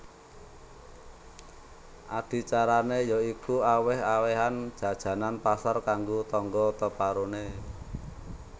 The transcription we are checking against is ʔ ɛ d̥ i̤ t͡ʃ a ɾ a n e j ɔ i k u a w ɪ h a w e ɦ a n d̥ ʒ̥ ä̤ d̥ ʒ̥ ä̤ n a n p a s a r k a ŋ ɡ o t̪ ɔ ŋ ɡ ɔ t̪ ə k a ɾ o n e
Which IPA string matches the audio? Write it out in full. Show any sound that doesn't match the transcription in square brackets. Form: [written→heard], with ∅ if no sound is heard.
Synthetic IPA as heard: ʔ [ɛ→a] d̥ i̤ t͡ʃ a ɾ a n e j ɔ i k u a w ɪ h a w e ɦ a n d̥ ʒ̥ ä̤ d̥ ʒ̥ ä̤ n a n p a s a r k a ŋ ɡ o t̪ ɔ ŋ ɡ ɔ t̪ ə [k→p] a ɾ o n e